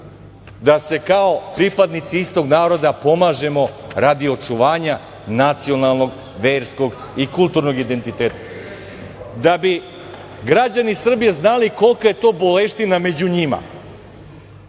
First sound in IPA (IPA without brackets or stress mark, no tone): d̪